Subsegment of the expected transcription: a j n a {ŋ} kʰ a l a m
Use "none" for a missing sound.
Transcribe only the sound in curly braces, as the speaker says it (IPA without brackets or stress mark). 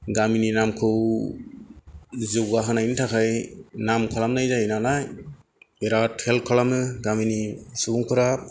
m